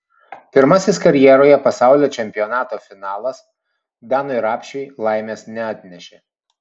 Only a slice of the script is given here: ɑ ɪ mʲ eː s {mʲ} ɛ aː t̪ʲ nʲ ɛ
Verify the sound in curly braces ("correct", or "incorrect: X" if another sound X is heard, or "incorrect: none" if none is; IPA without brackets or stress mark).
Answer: incorrect: nʲ